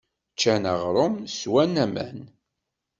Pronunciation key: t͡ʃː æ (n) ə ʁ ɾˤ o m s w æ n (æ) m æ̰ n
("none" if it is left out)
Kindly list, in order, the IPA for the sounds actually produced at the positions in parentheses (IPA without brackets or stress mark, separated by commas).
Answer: n, æ